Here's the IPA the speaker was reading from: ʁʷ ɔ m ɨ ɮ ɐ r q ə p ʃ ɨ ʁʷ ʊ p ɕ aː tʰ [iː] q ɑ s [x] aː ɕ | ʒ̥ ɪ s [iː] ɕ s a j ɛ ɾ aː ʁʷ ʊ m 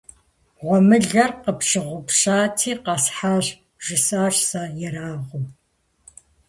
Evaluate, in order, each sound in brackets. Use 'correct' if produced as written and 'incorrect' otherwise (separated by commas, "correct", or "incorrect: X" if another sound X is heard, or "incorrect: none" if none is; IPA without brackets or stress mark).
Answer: correct, incorrect: ħ, incorrect: aː